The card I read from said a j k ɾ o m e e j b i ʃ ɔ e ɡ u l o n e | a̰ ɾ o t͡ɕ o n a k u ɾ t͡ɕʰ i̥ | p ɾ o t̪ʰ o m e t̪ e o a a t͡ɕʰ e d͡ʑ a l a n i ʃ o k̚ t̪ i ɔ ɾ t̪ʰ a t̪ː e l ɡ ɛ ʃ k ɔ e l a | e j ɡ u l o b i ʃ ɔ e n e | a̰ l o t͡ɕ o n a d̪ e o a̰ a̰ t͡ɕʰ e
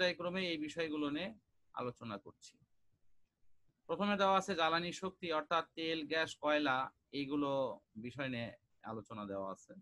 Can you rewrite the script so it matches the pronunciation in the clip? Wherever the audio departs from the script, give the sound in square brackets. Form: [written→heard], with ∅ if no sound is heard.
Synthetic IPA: a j k ɾ o m e e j b i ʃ ɔ e ɡ u l o n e | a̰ [ɾ→l] o t͡ɕ o n a k [u→o] ɾ t͡ɕʰ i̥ | p ɾ o t̪ʰ o m e [t̪→d̪] e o a a t͡ɕʰ e d͡ʑ a l a n i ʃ o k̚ t̪ i ɔ ɾ t̪ʰ a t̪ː e l ɡ ɛ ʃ k ɔ e l a | e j ɡ u l o b i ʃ ɔ e n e | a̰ l o t͡ɕ o n a d̪ e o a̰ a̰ t͡ɕʰ e